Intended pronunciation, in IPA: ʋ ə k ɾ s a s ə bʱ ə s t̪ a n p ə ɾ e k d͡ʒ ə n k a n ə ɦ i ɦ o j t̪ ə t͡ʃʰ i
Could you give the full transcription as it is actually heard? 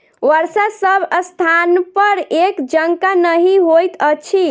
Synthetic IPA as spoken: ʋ ə ɾ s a s ə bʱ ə s t̪ʰ a n p ə ɾ e k d͡ʒ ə ŋ k a n ə ɦ i ɦ o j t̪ ə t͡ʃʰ i